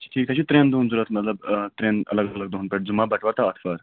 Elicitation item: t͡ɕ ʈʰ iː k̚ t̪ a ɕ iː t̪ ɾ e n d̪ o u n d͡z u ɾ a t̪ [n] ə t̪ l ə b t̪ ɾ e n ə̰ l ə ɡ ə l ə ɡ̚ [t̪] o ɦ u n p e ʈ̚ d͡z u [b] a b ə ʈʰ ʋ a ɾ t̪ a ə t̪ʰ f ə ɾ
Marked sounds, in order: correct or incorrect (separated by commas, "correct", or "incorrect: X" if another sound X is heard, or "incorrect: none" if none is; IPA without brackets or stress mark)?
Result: incorrect: m, incorrect: d̪, incorrect: m